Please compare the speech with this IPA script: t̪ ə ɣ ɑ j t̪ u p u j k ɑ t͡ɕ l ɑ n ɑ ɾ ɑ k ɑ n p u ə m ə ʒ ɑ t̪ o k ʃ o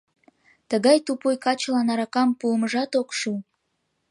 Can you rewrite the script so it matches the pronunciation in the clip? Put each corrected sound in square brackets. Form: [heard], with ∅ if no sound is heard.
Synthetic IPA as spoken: t̪ ə ɣ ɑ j t̪ u p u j k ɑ t͡ɕ l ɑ n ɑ ɾ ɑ k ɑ [m] p u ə m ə ʒ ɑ t̪ o k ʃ [u]